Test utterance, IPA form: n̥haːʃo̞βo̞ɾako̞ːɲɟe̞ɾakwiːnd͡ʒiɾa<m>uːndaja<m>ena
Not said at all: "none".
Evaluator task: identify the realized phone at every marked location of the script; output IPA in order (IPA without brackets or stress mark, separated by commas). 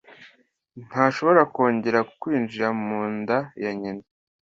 m, ɲ